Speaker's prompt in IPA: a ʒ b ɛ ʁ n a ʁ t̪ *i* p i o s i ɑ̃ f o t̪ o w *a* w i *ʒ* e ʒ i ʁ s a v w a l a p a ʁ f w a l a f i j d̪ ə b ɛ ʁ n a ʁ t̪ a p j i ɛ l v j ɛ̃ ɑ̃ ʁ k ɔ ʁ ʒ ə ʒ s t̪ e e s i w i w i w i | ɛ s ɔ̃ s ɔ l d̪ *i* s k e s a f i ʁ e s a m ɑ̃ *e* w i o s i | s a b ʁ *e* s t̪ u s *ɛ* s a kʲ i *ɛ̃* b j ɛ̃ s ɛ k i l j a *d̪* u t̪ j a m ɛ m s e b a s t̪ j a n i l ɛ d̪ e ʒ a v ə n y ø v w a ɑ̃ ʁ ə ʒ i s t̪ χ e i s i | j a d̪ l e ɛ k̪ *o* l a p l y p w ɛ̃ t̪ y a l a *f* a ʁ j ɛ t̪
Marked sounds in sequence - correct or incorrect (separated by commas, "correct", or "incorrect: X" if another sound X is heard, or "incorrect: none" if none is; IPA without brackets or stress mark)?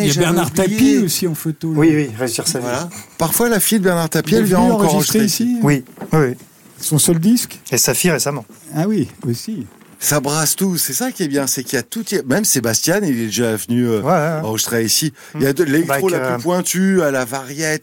incorrect: a, incorrect: i, incorrect: ʁ, correct, incorrect: a, incorrect: a, correct, incorrect: ɛ, incorrect: t̪, correct, incorrect: v